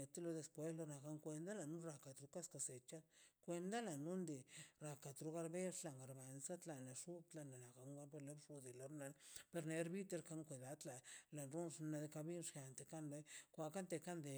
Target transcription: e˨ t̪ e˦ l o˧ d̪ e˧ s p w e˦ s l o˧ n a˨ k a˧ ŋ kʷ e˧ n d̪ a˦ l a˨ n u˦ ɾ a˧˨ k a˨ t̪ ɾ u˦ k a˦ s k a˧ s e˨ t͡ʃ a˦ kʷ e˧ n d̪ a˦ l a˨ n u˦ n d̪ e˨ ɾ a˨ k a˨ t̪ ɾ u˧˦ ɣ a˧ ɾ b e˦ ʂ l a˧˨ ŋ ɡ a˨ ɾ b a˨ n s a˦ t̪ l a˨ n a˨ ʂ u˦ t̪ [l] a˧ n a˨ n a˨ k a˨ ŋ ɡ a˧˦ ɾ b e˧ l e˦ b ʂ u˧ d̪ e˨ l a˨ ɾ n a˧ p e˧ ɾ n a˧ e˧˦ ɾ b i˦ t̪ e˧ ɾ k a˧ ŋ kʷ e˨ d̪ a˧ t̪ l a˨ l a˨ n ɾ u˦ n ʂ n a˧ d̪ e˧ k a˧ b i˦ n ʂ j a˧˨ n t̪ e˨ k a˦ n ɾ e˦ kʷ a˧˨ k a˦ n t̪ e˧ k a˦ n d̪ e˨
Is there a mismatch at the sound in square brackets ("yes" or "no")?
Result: no